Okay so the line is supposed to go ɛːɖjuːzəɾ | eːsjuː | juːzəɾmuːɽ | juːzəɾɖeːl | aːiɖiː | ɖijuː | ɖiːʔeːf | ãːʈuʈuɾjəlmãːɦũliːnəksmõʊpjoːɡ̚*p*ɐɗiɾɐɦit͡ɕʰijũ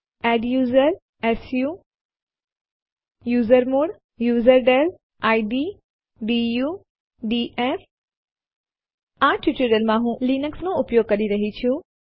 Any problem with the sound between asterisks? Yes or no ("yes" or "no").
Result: yes